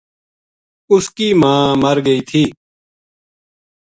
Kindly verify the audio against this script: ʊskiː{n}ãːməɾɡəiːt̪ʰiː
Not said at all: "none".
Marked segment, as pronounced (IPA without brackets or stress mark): m